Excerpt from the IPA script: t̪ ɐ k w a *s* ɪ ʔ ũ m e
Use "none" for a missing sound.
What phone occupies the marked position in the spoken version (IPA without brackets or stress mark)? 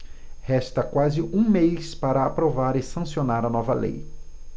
z